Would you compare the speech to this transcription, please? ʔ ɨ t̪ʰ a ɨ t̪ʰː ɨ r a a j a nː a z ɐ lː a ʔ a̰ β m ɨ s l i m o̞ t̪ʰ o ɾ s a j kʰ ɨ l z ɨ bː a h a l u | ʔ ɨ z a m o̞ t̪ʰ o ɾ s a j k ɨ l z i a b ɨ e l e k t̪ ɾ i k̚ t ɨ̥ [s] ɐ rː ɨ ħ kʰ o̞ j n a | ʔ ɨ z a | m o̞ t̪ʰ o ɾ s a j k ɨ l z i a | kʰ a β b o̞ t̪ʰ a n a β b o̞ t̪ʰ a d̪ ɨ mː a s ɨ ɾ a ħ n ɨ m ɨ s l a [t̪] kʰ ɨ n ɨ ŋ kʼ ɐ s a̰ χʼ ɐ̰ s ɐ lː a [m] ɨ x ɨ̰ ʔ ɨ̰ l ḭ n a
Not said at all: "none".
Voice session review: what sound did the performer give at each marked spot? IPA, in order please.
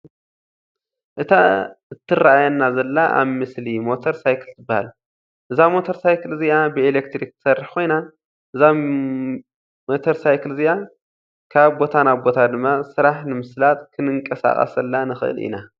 s, t̪, n

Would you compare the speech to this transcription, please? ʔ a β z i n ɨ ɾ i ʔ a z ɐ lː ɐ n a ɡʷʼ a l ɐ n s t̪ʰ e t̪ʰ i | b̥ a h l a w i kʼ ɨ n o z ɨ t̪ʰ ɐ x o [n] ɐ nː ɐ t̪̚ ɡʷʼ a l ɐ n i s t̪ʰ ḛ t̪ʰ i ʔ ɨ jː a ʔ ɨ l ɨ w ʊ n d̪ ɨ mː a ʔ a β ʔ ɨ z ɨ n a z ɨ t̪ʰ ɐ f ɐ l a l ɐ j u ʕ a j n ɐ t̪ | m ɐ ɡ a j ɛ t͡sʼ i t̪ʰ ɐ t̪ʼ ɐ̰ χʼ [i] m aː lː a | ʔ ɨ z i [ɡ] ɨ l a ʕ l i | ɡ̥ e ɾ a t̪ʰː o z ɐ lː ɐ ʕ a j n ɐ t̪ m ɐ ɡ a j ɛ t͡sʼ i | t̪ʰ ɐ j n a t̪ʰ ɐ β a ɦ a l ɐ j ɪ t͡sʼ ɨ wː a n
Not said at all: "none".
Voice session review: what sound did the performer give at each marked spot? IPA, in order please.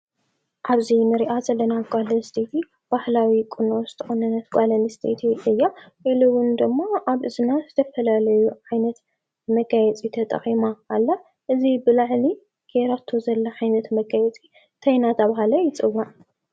n, i, b

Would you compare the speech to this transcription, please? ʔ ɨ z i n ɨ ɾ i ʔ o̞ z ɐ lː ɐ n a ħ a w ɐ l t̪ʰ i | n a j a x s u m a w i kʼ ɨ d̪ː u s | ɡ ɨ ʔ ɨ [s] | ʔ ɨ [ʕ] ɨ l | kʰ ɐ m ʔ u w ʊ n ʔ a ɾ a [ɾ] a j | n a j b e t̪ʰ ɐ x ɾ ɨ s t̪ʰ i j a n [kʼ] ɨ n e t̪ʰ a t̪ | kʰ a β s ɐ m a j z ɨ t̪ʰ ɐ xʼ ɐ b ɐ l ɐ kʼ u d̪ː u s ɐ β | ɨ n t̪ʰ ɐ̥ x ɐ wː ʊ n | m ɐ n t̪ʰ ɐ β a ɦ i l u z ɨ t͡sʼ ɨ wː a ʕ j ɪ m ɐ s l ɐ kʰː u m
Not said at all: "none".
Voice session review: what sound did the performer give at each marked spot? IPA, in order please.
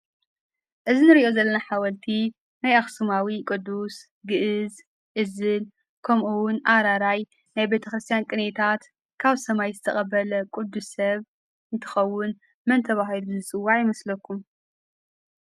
z, z, ɾ, kʼ

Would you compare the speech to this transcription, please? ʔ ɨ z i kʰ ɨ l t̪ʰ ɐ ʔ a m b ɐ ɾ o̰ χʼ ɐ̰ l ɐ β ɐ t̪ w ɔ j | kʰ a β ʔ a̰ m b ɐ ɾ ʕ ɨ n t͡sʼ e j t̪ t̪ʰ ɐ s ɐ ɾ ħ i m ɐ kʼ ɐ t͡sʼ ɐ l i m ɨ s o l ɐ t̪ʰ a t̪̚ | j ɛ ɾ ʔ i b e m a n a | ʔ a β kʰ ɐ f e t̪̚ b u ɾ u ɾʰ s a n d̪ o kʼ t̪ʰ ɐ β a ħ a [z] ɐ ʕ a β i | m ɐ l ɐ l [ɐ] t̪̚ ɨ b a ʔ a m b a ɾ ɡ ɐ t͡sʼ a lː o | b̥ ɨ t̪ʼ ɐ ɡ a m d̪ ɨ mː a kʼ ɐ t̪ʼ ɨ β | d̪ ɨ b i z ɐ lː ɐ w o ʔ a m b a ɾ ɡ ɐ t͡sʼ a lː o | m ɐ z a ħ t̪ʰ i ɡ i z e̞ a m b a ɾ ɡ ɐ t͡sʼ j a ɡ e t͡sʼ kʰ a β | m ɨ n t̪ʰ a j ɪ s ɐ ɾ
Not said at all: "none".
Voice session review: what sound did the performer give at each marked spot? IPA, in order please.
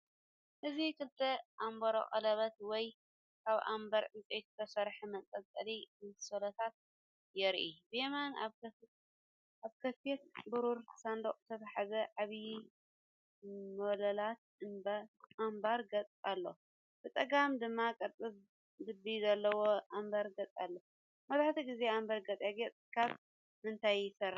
z, a

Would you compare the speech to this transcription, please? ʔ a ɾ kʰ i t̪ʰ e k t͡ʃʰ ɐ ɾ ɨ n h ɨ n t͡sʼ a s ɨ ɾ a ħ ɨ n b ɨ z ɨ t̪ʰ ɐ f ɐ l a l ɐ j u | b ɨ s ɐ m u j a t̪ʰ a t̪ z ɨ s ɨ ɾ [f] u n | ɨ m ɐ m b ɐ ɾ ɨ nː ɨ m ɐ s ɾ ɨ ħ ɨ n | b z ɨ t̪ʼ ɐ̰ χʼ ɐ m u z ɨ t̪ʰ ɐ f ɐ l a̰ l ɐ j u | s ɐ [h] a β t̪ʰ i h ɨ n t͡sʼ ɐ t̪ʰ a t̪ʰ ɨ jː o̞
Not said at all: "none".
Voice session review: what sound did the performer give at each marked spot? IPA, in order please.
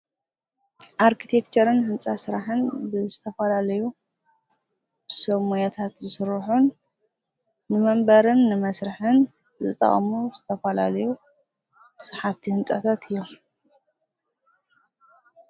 ħ, ħ

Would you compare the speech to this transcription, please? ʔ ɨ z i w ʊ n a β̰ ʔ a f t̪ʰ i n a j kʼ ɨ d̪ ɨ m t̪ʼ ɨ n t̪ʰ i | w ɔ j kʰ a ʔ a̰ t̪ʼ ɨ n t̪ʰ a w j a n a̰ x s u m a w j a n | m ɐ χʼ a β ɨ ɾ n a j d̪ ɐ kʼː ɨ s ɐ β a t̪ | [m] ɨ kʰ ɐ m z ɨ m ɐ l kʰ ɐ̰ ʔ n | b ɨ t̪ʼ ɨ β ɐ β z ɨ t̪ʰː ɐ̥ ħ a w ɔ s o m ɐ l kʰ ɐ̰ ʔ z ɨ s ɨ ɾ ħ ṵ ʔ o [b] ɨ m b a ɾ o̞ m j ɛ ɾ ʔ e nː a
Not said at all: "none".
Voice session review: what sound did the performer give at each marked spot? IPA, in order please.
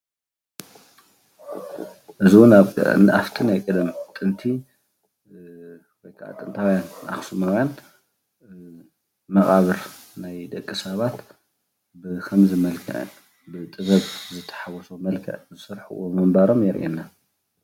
b, m

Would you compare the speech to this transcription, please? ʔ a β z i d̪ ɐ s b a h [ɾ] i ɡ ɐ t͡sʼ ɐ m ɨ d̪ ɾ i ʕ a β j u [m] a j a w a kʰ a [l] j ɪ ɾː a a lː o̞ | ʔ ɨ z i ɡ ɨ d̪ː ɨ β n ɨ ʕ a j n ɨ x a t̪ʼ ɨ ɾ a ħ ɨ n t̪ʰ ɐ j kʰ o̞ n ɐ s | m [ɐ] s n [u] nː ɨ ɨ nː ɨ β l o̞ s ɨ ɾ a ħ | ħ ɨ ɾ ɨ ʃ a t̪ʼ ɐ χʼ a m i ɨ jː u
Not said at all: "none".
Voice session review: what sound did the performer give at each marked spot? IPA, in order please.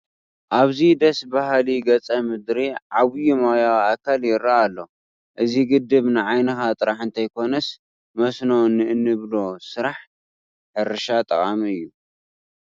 l, m, l, ɐ, o

